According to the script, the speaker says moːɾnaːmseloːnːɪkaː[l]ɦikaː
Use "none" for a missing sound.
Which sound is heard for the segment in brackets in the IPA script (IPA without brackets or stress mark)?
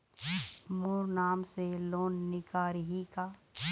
ɾ